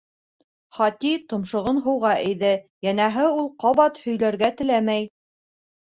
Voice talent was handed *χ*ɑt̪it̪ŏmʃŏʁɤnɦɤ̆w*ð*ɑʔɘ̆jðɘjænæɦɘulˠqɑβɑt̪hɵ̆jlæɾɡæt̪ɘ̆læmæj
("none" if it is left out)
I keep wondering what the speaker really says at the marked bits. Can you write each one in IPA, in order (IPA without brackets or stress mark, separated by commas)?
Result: χ, ʁ